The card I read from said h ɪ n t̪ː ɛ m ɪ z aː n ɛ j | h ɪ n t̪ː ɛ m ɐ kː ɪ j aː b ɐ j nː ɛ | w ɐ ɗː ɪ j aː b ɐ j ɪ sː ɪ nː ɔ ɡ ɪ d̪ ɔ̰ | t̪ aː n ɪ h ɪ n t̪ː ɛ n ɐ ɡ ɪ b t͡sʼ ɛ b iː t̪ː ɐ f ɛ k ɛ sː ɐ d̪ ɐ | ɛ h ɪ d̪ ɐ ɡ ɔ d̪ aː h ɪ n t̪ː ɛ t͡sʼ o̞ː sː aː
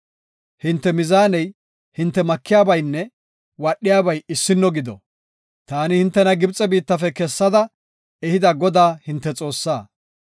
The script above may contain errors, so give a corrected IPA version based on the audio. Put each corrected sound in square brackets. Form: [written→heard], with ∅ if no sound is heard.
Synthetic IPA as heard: h ɪ n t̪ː ɛ m ɪ z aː n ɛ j | h ɪ n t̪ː ɛ m ɐ kː ɪ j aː b ɐ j nː ɛ | w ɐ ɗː ɪ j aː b ɐ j ɪ sː ɪ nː ɔ ɡ ɪ d̪ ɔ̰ | t̪ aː n ɪ h ɪ n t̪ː ɛ n ɐ ɡ ɪ b t͡sʼ ɛ b iː t̪ː ɐ f ɛ k ɛ sː ɐ d̪ ɐ | ɛ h ɪ d̪ ɐ ɡ ɔ d̪ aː h ɪ n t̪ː ɛ t͡sʼ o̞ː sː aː